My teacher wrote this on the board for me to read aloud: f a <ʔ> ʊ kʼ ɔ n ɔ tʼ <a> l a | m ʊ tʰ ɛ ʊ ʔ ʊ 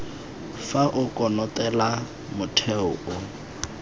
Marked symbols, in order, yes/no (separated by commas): yes, no